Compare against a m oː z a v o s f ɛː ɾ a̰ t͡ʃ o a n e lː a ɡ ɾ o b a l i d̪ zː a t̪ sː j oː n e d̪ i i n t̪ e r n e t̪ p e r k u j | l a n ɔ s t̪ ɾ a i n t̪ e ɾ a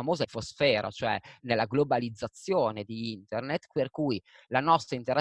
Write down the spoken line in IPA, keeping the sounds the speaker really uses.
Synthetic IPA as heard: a m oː z a f o s f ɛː ɾ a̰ t͡ʃ o ɛ n e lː a ɡ l o b a l i d̪ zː a t̪ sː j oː n e d̪ i i n t̪ e r n e t̪ p e r k u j | l a n ɔ s t̪ ɾ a i n t̪ e ɾ a

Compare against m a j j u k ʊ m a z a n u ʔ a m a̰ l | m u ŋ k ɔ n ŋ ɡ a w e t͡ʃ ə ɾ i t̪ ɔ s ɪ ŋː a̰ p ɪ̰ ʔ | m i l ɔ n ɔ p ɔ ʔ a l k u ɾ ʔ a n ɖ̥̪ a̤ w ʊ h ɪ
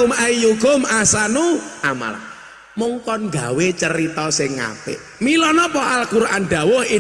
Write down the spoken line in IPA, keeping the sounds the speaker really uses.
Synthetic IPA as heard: m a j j u k ʊ m a s a n u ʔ a m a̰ l | m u ŋ k ɔ n ŋ ɡ a w e t͡ʃ ə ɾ i t̪ ɔ s ɪ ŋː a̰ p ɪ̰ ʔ | m i l ɔ n ɔ p ɔ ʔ a l k u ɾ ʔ a n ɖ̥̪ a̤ w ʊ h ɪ

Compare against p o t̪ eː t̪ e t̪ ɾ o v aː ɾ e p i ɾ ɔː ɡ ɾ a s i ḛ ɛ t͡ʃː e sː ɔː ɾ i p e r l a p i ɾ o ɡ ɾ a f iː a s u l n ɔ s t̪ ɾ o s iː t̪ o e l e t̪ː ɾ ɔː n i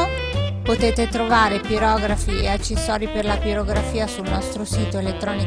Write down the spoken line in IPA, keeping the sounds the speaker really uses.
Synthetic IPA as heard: p o t̪ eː t̪ e t̪ ɾ o v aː ɾ e p i ɾ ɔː ɡ ɾ a f i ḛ a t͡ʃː e sː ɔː ɾ i p e r l a p i ɾ o ɡ ɾ a f iː a s u l n ɔ s t̪ ɾ o s iː t̪ o e l e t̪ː ɾ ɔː n i

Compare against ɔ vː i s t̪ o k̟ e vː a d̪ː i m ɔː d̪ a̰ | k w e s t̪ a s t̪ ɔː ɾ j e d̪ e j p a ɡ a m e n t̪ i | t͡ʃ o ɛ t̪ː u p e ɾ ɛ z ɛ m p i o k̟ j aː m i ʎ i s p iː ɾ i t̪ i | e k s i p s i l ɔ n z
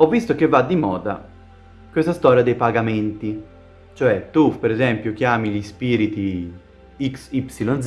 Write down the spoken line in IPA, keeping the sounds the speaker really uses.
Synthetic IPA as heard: ɔ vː i s t̪ o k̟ e vː a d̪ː i m ɔː d̪ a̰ | k w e s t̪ a s t̪ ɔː ɾ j a d̪ e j p a ɡ a m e n t̪ i | t͡ʃ o ɛ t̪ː u p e ɾ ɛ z ɛ m p j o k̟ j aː m i ʎ i s p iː ɾ i t̪ i | i k s i p s i l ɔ n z

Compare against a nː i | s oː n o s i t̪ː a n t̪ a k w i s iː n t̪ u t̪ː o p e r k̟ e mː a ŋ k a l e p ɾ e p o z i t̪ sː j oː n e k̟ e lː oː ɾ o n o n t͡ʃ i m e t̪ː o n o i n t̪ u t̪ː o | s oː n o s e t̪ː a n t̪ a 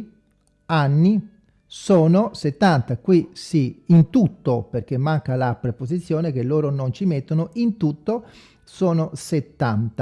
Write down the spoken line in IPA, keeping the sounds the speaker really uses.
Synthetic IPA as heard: a nː i | s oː n o s e t̪ː a n t̪ a k w i s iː n t̪ u t̪ː o p e r k̟ e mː a ŋ k a l a p ɾ e p o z i t̪ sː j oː n e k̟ e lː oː ɾ o n o n t͡ʃ i m e t̪ː o n o i n t̪ u t̪ː o | s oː n o s e t̪ː a n t̪ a

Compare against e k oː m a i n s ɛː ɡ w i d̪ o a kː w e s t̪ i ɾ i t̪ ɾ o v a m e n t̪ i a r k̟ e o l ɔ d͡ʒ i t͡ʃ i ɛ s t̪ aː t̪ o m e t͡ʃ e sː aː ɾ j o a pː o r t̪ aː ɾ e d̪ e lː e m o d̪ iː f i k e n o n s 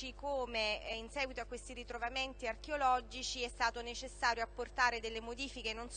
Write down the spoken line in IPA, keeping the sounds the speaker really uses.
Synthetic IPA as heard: i k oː m e i n s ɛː ɡ w i t̪ o a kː w e s t̪ i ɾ i t̪ ɾ o v a m e n t̪ i a r k̟ e o l ɔ d͡ʒ i t͡ʃ i ɛ s t̪ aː t̪ o n e t͡ʃ e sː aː ɾ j o a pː o r t̪ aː ɾ e d̪ e lː e m o d̪ iː f i k e n o n s

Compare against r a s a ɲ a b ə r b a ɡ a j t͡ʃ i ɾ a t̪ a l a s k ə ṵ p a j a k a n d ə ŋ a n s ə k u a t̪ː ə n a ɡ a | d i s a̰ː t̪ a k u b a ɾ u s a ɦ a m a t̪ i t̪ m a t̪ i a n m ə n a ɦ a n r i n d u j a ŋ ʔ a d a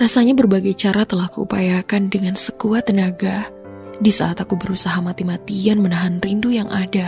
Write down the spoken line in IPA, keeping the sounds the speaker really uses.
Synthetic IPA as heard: r a s a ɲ a b ə r b a ɡ a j t͡ʃ a ɾ a t̪ ə l a h k ə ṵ p a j a k a n d ə ŋ a n s ə k u a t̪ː ə n a ɡ a | d i s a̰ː t̪ a k u b ə ɾ u s a ɦ a m a t̪ i m a t̪ i a n m ə n a ɦ a n r i n d u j a ŋ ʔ a d a

